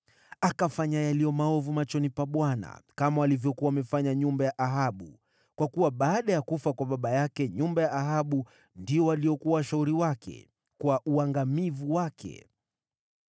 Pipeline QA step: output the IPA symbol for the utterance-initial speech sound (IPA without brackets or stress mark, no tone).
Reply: a